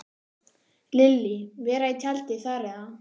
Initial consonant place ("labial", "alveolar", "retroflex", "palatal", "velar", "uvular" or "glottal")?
alveolar